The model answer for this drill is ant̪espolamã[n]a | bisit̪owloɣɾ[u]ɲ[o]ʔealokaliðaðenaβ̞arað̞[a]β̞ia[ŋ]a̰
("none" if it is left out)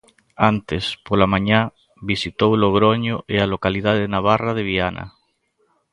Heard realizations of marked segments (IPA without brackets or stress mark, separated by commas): ɲ, o, o, e, n